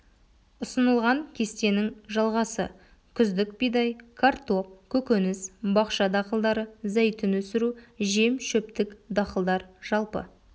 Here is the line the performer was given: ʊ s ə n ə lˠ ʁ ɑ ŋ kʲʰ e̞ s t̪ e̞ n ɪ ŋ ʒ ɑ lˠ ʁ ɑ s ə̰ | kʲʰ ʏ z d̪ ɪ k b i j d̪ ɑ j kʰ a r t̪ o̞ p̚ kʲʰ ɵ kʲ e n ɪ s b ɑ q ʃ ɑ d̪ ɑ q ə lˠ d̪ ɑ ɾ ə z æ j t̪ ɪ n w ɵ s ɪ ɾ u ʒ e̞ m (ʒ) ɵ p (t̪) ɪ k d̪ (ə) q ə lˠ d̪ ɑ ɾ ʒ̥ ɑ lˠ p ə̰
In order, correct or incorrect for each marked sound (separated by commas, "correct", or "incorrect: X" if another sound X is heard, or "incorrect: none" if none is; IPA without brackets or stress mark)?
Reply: incorrect: ʃ, correct, incorrect: ɑ